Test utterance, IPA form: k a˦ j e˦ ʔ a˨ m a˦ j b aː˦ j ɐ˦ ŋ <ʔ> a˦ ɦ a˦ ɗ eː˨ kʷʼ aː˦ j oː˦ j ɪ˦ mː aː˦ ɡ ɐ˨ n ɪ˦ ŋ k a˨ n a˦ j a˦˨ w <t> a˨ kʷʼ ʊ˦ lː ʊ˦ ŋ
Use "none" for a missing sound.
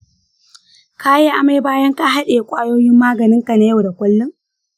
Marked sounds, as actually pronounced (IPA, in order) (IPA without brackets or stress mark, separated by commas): k, d